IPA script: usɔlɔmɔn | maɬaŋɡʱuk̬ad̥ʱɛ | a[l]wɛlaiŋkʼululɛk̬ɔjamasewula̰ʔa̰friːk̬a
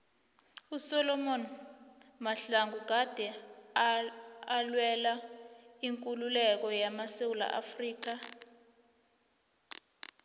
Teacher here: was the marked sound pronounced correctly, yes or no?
yes